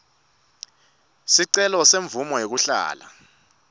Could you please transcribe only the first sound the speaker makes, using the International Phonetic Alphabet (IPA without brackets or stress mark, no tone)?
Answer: s